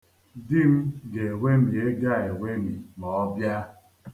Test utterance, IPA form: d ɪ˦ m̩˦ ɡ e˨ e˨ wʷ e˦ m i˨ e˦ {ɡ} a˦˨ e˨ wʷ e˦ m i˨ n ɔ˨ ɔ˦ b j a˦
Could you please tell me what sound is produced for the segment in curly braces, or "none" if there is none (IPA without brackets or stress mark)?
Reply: ɡ